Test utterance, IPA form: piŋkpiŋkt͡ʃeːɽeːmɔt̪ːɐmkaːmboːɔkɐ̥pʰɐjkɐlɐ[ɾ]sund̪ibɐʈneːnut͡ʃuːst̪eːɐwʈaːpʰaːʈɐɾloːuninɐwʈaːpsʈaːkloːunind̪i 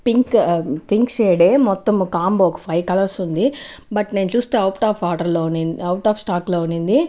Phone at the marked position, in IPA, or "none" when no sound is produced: ɾ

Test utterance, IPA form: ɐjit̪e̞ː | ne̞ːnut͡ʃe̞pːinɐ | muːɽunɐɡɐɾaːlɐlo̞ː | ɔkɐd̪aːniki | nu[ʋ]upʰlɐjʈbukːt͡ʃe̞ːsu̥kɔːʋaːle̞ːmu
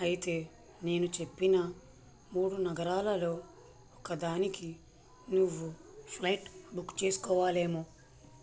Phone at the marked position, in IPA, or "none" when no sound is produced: ʋː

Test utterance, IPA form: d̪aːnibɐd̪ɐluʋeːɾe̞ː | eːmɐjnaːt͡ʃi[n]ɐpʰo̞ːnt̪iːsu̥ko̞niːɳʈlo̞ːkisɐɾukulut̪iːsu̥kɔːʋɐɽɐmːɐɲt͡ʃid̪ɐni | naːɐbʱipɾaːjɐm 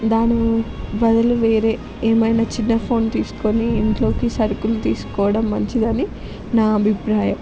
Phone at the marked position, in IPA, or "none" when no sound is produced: nː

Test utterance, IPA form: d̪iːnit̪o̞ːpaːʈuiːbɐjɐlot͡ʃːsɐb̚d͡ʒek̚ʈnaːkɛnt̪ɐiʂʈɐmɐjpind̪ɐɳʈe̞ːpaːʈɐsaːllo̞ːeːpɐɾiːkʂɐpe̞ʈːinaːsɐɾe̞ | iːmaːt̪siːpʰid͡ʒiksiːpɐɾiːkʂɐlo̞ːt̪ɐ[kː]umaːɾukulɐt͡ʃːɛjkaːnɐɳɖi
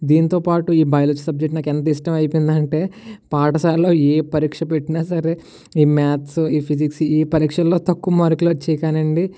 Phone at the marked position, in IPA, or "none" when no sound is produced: kː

